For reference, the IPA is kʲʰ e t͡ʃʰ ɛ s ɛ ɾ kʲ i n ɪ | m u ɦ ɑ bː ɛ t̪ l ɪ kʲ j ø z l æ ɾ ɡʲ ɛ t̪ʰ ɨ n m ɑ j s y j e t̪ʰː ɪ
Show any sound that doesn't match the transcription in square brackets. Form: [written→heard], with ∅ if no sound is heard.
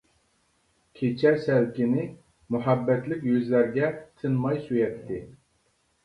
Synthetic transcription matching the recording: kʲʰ e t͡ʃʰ ɛ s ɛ [ɾ→l] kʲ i n ɪ | m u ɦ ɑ bː ɛ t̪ l ɪ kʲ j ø z l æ ɾ ɡʲ ɛ t̪ʰ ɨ n m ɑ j s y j [e→ɛ] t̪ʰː ɪ